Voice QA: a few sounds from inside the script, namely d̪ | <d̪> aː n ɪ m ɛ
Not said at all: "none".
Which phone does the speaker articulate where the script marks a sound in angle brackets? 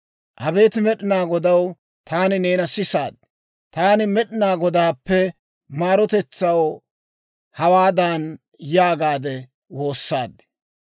t̪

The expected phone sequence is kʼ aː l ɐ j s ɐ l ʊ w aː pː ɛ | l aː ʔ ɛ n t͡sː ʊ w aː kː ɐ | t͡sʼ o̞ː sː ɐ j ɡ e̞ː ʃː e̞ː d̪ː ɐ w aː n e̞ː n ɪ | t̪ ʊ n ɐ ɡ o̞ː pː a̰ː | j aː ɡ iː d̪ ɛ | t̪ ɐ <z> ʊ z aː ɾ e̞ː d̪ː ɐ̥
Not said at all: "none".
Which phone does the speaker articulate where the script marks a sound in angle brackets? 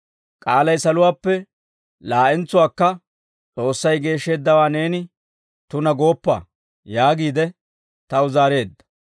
none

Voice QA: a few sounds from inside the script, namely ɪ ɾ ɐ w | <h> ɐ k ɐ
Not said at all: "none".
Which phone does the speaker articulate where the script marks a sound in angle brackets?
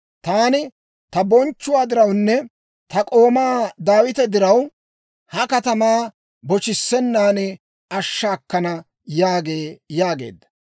h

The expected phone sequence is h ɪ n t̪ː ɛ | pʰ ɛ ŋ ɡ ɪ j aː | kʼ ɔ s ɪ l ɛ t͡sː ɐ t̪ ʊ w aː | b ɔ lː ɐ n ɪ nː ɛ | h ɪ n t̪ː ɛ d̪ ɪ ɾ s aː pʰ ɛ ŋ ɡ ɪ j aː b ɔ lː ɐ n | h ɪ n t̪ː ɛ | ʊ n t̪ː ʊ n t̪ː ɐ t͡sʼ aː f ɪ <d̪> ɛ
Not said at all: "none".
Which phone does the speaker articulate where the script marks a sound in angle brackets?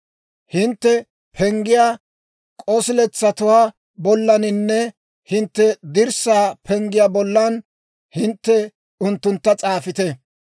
t̪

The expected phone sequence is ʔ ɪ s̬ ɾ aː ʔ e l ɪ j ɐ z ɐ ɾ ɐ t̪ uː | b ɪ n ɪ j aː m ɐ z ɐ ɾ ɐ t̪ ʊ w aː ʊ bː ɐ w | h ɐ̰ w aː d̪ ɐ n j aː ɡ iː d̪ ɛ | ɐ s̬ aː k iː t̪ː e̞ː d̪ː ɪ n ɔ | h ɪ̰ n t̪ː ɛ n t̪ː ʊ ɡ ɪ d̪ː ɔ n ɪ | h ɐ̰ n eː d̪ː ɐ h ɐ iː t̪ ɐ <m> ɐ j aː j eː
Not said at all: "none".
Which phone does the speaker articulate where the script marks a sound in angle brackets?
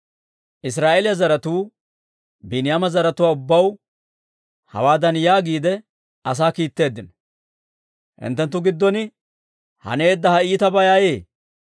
b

